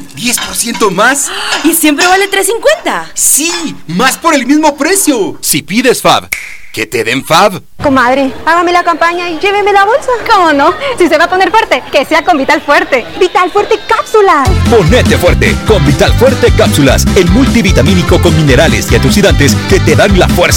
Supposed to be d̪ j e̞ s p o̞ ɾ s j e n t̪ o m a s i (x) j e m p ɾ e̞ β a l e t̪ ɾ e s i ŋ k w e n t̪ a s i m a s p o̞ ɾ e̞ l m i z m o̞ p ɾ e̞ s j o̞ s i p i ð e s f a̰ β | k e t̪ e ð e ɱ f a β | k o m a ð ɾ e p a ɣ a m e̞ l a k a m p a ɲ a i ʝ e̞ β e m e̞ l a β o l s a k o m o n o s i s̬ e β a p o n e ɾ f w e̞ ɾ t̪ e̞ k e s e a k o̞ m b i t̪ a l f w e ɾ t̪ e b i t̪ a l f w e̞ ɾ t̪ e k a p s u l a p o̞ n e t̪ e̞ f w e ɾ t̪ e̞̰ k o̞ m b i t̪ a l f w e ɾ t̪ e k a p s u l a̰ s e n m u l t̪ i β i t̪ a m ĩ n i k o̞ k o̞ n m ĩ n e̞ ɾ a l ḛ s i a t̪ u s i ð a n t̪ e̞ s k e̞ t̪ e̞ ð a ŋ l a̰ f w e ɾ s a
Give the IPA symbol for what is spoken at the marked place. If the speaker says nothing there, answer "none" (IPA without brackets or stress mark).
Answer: s